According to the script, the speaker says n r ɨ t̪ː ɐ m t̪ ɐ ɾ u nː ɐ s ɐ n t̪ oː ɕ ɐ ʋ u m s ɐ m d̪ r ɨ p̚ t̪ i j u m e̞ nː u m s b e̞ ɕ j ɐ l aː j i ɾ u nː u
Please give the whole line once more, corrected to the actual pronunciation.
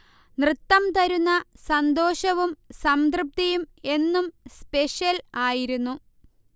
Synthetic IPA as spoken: n r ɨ t̪ː ɐ m t̪ ɐ ɾ u nː ɐ s ɐ n d̪ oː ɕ ɐ ʋ u m s ɐ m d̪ r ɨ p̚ t̪ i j u m e̞ nː u m s p e̞ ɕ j ɐ l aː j i ɾ u nː u